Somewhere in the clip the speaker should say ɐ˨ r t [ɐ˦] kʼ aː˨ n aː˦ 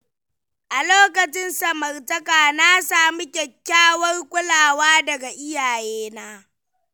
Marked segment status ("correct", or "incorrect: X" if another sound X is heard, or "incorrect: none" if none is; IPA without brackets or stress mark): correct